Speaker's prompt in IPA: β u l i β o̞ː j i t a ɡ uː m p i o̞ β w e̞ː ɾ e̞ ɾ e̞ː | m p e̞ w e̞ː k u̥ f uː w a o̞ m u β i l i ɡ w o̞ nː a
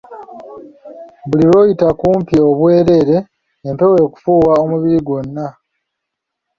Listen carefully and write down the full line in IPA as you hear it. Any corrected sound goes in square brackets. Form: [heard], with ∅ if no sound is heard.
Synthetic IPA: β u l i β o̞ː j i t a [k] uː m p i o̞ β w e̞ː ɾ e̞ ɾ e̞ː | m p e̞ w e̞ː k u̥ f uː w a o̞ m u β i [ɾ] i ɡ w o̞ nː a